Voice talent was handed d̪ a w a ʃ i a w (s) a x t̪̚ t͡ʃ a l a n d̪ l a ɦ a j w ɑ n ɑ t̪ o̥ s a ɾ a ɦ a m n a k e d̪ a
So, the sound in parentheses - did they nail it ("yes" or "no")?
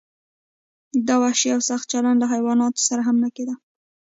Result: yes